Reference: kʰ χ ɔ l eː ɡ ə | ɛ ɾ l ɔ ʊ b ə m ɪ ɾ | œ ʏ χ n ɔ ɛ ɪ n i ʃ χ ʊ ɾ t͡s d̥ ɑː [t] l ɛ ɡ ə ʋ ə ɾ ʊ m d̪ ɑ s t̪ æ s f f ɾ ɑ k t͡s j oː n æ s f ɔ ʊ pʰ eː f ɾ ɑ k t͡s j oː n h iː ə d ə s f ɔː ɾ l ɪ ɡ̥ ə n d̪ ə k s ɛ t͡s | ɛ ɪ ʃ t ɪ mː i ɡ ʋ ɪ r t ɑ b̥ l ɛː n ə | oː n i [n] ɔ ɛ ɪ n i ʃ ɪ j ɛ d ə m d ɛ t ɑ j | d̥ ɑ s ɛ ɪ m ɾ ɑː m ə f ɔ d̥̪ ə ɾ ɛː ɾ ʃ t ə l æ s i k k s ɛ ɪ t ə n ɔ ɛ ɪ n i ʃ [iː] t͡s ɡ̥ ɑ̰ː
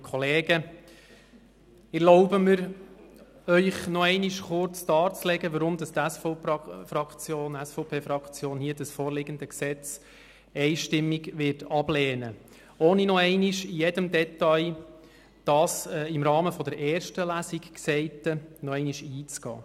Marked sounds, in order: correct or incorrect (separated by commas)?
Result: incorrect, correct, correct